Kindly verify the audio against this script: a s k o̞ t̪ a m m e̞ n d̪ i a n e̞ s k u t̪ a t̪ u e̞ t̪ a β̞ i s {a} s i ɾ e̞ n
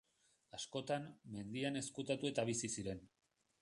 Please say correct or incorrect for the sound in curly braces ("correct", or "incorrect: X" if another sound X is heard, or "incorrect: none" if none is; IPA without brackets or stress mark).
incorrect: i